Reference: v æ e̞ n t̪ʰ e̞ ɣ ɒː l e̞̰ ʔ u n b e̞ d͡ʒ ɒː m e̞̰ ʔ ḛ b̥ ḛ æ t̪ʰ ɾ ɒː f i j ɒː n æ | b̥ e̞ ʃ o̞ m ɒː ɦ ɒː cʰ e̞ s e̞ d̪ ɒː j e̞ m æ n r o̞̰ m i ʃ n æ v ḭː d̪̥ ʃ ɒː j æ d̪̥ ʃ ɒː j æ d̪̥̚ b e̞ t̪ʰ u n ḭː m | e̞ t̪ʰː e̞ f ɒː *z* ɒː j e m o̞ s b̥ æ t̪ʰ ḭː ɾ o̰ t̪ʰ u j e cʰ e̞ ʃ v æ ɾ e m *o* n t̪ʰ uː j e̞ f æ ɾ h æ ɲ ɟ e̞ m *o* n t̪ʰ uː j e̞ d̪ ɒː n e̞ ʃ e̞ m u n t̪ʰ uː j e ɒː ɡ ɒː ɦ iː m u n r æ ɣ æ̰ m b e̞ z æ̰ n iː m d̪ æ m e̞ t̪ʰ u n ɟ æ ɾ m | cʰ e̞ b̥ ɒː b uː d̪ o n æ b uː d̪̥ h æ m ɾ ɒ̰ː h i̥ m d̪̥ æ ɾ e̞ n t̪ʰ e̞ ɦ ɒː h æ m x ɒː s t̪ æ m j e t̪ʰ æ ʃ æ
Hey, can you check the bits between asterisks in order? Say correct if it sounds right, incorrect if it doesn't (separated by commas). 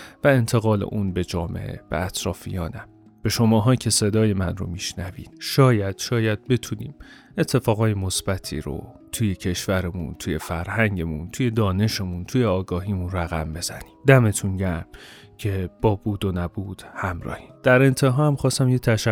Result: incorrect, incorrect, incorrect